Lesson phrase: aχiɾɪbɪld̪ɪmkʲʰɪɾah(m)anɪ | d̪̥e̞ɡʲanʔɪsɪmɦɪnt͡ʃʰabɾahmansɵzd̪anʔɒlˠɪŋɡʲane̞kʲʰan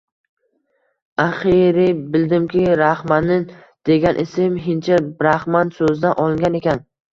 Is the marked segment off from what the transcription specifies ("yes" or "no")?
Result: no